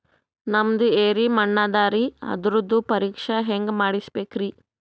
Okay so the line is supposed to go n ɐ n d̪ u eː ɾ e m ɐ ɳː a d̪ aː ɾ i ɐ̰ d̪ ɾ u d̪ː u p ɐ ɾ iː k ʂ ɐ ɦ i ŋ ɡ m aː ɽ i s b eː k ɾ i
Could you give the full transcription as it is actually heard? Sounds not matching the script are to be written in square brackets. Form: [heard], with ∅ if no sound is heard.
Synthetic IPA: n ɐ [m] d̪ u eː ɾ [i] m ɐ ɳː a d̪ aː ɾ i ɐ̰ d̪ ɾ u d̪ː u p ɐ ɾ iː k ʂ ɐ ɦ [e] ŋ ɡ m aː ɽ i s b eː k ɾ i